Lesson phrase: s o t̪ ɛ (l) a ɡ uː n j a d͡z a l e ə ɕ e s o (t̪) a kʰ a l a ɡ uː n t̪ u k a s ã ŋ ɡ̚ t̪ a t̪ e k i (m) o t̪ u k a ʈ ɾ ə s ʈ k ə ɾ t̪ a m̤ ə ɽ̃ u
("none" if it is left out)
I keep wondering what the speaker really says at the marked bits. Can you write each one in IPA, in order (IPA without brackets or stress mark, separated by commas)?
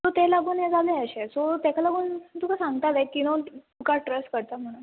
l, t̪, n